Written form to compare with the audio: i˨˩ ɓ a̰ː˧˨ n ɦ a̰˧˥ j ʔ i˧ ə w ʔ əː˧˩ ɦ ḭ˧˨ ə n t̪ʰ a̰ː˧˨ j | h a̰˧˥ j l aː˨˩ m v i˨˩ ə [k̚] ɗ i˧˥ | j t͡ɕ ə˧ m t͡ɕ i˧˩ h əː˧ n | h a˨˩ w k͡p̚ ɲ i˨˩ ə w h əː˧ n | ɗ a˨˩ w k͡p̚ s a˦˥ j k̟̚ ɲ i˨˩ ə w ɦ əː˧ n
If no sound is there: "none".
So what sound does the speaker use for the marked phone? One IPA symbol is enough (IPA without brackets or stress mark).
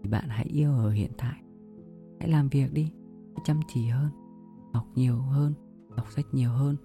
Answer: k̚